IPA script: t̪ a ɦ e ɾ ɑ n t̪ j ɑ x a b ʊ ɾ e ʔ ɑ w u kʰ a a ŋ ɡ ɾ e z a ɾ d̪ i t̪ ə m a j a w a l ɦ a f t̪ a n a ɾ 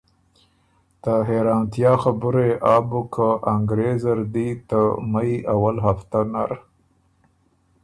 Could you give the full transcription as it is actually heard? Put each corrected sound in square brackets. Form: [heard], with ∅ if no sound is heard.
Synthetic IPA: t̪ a ɦ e ɾ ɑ n t̪ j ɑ x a b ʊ ɾ e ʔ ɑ [b] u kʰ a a ŋ ɡ ɾ e z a ɾ d̪ i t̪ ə m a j a w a l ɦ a f t̪ a n a ɾ